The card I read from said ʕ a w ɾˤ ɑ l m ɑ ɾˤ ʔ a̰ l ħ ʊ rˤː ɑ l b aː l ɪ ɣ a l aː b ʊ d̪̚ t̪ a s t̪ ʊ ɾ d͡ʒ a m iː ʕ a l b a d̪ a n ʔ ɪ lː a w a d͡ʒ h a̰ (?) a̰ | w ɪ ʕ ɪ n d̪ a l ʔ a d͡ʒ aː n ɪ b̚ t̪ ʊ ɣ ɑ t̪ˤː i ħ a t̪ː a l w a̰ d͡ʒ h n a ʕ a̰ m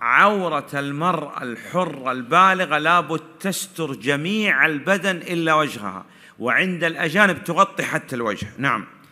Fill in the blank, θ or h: h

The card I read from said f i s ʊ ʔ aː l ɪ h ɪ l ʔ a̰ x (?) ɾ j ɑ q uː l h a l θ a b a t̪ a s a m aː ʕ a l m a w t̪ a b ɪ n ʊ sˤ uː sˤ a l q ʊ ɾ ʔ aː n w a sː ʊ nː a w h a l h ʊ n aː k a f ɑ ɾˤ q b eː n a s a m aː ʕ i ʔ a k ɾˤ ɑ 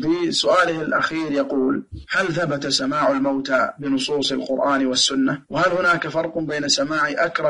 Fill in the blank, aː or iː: iː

